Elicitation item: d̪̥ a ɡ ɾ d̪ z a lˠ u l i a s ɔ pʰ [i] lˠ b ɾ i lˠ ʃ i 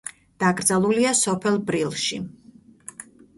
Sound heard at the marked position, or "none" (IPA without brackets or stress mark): ɛ